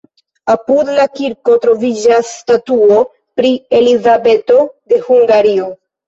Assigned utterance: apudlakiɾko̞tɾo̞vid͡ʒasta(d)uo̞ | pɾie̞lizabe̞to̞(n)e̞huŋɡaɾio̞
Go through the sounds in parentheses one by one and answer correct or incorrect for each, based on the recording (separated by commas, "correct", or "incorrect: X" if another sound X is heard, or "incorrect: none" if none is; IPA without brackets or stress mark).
incorrect: t, incorrect: d